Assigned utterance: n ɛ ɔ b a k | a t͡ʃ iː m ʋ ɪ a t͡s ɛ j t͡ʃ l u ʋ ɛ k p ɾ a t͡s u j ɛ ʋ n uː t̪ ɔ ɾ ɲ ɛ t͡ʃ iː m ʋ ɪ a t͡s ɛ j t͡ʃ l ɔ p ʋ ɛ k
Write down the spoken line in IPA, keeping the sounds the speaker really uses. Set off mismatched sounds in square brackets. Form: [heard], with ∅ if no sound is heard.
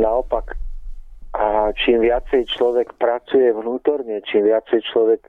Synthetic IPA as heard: n [a] ɔ [p] a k | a t͡ʃ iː m ʋ ɪ a t͡s ɛ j t͡ʃ l [ɔ] ʋ ɛ k p ɾ a t͡s u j ɛ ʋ n uː t̪ ɔ ɾ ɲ ɛ t͡ʃ iː m ʋ ɪ a t͡s ɛ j t͡ʃ l ɔ [∅] ʋ ɛ k